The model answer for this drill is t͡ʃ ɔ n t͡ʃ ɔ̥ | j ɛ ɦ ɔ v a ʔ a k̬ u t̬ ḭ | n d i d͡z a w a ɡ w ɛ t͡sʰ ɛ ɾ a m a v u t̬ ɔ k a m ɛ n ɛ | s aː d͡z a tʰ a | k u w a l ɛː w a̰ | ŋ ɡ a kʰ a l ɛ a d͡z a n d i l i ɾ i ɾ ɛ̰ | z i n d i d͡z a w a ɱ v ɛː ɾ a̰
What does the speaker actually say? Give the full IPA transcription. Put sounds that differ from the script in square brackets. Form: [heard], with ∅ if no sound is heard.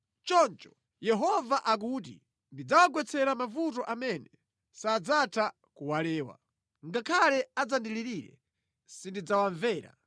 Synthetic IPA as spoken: t͡ʃ ɔ n t͡ʃ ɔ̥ | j ɛ ɦ ɔ v a ʔ a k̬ u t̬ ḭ | n d i d͡z a w a ɡ w ɛ t͡sʰ ɛ ɾ a m a v u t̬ ɔ [ʔ] a m ɛ n ɛ | s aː d͡z a tʰ a | k u w a l ɛː w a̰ | ŋ ɡ a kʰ a l ɛ a d͡z a n d i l i ɾ i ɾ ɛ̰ | [s] i n d i d͡z a w a ɱ v ɛː ɾ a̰